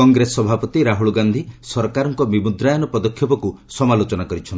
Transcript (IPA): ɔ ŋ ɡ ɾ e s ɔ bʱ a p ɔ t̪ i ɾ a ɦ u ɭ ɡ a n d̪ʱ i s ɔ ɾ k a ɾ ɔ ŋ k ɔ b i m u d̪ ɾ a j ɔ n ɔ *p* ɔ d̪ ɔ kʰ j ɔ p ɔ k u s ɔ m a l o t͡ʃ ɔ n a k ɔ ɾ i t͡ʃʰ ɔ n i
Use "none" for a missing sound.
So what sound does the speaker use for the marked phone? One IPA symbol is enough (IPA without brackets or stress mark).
p